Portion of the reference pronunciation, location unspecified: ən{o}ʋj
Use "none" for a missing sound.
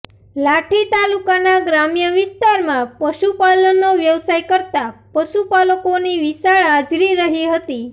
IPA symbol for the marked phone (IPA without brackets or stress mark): o